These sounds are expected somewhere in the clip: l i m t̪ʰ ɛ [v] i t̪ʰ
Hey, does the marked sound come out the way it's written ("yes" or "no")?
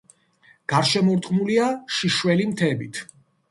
no